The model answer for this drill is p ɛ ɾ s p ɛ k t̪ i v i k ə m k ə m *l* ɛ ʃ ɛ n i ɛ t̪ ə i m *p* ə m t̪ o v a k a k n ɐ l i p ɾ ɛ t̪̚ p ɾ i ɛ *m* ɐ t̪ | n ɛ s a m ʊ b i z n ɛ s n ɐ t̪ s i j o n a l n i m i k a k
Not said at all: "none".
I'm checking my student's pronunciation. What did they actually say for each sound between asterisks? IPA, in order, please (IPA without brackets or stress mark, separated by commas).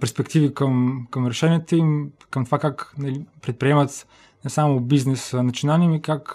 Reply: ɾ, k, m